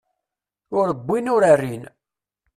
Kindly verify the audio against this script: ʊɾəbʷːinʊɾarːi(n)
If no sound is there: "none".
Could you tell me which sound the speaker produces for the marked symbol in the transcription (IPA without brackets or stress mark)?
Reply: n